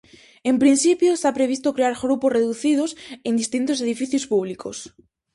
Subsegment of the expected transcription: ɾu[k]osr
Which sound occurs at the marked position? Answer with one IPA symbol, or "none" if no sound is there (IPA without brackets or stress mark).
p